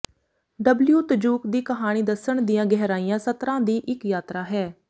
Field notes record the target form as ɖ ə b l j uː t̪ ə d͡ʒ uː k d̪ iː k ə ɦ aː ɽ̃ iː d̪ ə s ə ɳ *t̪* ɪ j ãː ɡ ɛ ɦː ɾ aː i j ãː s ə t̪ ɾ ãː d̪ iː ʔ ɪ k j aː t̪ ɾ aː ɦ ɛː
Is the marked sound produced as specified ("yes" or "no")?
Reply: no